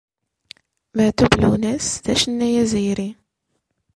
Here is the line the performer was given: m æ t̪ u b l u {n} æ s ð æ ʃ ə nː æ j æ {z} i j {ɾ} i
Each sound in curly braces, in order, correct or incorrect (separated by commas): correct, correct, correct